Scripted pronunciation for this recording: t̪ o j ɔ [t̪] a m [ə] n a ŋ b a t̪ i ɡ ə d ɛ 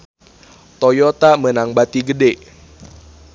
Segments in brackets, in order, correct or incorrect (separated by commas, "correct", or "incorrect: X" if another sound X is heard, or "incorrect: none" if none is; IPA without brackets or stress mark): correct, correct